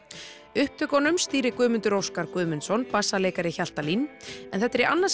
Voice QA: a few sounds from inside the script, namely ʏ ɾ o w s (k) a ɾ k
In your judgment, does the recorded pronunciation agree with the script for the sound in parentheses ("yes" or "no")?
yes